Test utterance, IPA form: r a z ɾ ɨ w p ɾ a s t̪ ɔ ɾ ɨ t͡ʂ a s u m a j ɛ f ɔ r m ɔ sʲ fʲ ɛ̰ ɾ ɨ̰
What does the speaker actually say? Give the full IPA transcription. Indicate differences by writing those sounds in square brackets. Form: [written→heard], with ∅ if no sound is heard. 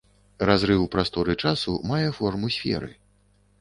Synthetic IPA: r a z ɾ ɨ w p ɾ a s t̪ ɔ ɾ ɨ t͡ʂ a s u m a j ɛ f ɔ r m [ɔ→u] sʲ fʲ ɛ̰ ɾ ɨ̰